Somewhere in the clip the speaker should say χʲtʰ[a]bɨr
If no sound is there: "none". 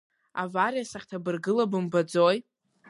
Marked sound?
a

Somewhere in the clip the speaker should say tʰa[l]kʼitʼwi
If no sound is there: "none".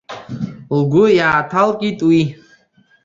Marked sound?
l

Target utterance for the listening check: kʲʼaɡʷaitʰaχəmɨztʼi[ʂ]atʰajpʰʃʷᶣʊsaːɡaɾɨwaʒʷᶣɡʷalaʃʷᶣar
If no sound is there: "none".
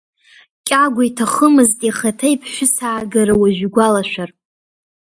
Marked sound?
χ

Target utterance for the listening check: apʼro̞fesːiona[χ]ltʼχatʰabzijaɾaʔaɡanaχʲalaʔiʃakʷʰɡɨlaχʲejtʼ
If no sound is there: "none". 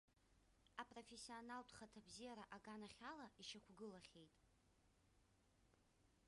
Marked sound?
none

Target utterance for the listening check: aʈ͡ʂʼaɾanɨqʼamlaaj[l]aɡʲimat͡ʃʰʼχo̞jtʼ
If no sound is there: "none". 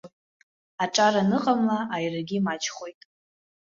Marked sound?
r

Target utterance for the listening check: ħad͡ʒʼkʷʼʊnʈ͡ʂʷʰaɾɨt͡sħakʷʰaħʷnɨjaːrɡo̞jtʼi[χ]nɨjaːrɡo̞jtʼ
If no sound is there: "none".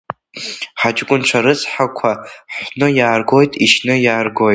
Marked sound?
ʃ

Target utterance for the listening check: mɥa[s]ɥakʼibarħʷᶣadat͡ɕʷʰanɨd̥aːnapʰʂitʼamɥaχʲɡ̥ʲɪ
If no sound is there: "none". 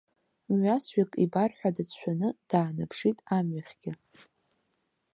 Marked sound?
s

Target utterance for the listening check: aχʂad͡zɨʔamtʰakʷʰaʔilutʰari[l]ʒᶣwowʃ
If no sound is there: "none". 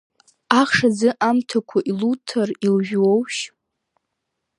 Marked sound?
l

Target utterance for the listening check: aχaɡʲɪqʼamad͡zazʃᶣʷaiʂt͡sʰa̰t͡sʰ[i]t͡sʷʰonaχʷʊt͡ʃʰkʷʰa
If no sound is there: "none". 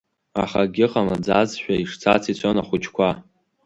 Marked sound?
i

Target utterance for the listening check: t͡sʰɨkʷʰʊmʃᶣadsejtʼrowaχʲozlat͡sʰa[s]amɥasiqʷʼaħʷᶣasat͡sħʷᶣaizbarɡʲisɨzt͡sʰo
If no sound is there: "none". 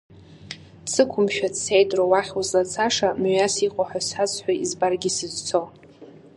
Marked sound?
ʂ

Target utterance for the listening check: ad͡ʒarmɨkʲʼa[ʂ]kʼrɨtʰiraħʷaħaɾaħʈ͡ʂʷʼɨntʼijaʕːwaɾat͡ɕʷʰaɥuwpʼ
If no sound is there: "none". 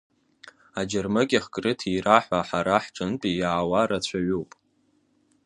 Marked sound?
χ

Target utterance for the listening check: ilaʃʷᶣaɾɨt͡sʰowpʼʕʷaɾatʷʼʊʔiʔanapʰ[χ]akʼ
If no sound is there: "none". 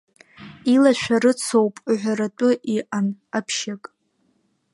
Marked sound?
ʃ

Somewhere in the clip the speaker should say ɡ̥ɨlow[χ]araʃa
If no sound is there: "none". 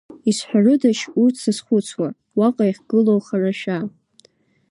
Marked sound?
χ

